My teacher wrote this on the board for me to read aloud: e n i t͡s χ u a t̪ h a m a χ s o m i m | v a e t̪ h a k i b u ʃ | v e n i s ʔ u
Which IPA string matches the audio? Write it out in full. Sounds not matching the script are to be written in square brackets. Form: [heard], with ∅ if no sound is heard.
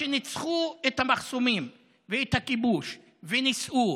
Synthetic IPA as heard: e n i t͡s χ u [e] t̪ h a m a χ s o m i m | v [e] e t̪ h a k i b u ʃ | v e n i s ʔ u